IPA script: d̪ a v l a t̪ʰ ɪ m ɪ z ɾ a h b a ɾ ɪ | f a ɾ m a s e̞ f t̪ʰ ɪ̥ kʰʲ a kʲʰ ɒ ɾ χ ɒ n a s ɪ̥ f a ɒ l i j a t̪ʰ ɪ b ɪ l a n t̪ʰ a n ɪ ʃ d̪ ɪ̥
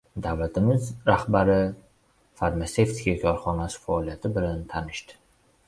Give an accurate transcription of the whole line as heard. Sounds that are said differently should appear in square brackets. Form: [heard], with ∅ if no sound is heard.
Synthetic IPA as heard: d̪ a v l a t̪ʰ ɪ m ɪ z ɾ a h b a ɾ ɪ | f a ɾ m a s e̞ f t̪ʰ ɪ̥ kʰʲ a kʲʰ ɒ ɾ χ ɒ n a s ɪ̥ f a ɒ l i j a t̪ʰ ɪ b ɪ l a n t̪ʰ a n ɪ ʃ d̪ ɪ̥

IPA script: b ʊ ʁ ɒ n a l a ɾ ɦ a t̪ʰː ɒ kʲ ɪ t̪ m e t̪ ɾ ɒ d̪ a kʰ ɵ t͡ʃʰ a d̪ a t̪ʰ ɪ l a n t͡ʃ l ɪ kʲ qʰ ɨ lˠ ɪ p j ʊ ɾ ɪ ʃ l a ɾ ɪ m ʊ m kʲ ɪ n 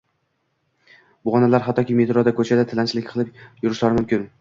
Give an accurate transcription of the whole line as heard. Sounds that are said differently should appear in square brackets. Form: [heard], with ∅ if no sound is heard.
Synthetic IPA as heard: b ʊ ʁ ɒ n a l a ɾ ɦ a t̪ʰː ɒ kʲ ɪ [∅] m e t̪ ɾ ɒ d̪ a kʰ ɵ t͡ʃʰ a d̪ a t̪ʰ ɪ l a n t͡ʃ l ɪ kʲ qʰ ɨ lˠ ɪ p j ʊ ɾ ɪ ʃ l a ɾ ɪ m ʊ m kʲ ɪ n

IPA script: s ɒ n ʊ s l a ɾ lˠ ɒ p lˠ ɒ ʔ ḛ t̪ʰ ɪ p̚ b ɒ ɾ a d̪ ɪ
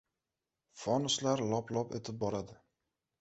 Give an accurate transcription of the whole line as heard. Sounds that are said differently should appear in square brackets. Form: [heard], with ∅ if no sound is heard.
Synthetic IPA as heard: [f] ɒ n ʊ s l a ɾ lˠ ɒ p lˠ ɒ [p] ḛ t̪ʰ ɪ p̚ b ɒ ɾ a d̪ ɪ

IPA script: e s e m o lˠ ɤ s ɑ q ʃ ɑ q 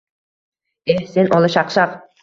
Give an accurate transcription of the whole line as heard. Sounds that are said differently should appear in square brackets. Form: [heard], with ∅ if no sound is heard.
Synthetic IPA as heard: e s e [n] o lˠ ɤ [ʃ] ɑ q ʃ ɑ q

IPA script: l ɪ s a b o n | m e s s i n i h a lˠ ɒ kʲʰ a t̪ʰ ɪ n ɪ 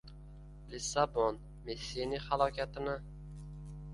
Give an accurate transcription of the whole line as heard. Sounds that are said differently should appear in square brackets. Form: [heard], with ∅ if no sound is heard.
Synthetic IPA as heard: l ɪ s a b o n | m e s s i n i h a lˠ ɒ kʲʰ a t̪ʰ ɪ n ɪ

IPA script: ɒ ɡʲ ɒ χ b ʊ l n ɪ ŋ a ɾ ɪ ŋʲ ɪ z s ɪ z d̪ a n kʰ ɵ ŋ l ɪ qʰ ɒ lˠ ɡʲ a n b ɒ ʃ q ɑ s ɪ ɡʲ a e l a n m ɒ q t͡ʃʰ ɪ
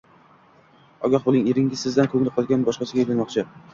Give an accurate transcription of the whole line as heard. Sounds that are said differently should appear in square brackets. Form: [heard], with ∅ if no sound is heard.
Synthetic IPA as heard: ɒ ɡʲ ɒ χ b ʊ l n ɪ ŋ [e] ɾ ɪ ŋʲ ɪ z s ɪ z d̪ a n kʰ ɵ ŋ l ɪ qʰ ɒ lˠ ɡʲ a n b ɒ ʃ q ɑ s ɪ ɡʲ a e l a n m ɒ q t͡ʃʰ ɪ

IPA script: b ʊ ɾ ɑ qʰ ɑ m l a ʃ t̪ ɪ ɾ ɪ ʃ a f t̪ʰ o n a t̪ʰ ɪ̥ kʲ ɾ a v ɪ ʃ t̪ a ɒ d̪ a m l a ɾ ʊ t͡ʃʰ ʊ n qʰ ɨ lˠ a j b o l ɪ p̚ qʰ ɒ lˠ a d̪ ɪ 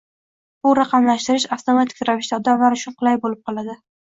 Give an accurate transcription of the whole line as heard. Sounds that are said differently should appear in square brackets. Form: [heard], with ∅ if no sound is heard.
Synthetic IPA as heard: b ʊ ɾ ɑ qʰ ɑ m l a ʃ t̪ ɪ ɾ ɪ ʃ a f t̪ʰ o [m] a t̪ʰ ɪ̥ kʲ ɾ a v ɪ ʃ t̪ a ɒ d̪ a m l a ɾ ʊ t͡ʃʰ ʊ n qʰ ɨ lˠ a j b o l ɪ p̚ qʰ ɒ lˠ a d̪ ɪ

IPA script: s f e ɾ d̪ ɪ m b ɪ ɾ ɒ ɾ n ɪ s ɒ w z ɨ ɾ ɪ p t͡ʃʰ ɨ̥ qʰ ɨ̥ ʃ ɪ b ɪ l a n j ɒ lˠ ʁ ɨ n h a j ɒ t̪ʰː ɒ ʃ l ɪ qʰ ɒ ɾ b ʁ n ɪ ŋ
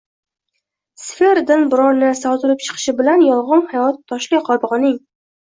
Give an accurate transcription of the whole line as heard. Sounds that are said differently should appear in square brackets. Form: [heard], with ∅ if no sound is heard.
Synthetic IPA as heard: s f e ɾ d̪ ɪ [n] b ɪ ɾ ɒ ɾ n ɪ s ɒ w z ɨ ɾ ɪ p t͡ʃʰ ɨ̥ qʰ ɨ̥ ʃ ɪ b ɪ l a n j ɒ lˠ ʁ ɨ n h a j ɒ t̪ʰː ɒ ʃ l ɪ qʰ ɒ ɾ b ʁ n ɪ ŋ

